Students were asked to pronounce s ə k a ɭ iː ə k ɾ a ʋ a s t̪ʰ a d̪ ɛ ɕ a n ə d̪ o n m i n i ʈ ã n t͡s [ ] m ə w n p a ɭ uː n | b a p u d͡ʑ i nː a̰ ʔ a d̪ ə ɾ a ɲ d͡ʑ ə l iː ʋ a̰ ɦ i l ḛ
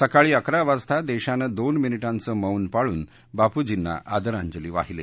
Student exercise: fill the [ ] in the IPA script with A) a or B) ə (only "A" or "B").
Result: B